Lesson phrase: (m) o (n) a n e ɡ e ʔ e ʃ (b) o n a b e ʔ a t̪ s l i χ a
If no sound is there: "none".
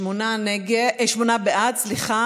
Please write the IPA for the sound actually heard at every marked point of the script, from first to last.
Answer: m, n, m

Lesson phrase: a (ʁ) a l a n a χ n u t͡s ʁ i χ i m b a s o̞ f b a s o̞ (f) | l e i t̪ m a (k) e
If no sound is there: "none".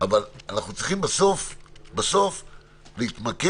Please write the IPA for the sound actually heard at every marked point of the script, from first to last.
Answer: v, f, k

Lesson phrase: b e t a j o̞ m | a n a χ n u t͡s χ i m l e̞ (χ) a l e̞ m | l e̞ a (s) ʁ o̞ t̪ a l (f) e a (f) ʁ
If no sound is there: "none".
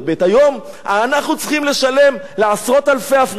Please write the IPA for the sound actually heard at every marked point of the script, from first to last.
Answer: ʃ, s, f, f

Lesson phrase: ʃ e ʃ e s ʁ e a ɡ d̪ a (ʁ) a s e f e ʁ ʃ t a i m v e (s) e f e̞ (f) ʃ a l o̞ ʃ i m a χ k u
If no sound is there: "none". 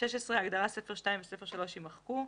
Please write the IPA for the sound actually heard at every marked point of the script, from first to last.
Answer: ʁ, s, none

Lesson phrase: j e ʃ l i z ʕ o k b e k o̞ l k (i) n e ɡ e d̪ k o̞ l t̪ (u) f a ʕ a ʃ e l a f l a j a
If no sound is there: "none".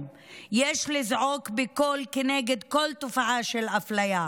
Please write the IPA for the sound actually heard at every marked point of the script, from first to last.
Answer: e, o

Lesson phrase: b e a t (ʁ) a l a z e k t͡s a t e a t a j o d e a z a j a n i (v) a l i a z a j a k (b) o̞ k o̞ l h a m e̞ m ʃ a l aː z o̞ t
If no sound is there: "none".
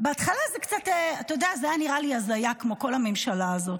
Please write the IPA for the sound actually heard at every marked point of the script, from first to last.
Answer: χ, ʁ, m

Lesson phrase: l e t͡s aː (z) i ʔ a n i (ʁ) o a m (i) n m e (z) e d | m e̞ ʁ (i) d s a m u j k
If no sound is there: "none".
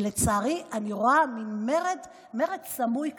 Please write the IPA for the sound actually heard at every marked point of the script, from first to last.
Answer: ʁ, ʁ, i, ʁ, e

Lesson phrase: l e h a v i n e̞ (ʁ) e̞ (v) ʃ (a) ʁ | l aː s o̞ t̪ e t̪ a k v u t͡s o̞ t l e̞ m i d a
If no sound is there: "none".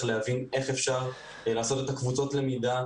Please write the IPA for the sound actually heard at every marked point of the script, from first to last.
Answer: χ, f, a

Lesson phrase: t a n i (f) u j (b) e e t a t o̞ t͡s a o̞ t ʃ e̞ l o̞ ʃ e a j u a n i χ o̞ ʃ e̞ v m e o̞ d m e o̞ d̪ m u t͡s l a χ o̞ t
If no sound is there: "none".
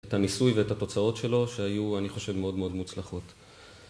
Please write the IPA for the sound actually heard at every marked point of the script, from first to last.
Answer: s, v

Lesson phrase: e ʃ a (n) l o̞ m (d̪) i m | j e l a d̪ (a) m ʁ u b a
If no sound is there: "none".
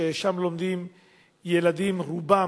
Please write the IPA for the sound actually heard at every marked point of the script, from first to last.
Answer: m, d̪, i

